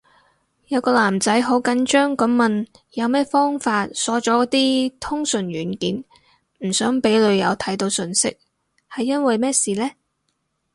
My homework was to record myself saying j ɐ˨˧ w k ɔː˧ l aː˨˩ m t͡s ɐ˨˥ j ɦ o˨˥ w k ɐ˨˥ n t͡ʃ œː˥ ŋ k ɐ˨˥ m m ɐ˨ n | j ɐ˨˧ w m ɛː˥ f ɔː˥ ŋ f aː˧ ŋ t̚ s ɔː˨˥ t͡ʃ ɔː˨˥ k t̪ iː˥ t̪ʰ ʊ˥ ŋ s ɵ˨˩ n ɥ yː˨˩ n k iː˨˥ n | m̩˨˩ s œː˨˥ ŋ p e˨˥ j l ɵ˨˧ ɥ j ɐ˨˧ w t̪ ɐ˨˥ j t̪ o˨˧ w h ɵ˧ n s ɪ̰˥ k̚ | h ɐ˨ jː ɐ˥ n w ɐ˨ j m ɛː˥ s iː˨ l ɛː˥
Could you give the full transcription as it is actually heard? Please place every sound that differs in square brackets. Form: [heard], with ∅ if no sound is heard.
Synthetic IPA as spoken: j ɐ˨˧ w k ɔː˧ l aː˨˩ m t͡s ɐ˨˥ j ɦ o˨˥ w k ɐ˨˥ n t͡ʃ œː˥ ŋ k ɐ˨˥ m m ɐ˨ n | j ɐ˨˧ w m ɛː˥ f ɔː˥ ŋ f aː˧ [∅] t̚ s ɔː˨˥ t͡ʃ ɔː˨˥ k t̪ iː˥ t̪ʰ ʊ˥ ŋ s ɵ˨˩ n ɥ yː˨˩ n k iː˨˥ n | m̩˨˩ s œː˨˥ ŋ p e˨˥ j l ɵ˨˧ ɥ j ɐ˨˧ w [t̪ʰ] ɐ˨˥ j t̪ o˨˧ w [s] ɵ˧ n s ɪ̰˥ k̚ | h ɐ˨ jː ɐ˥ n w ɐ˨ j m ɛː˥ s iː˨ l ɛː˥